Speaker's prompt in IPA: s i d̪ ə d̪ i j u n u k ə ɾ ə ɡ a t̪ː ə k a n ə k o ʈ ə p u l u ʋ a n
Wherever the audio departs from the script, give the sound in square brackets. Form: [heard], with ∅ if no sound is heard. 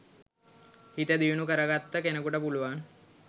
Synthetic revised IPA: [h] i [t̪] ə d̪ i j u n u k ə ɾ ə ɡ a t̪ː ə k [e] n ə k [u] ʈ ə p u l u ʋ a n